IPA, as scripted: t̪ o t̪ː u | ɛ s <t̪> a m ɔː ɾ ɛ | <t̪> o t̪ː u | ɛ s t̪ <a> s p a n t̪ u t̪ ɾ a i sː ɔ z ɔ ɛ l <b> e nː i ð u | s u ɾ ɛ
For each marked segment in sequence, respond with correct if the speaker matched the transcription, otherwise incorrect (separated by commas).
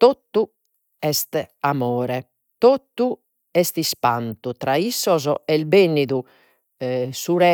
correct, correct, incorrect, correct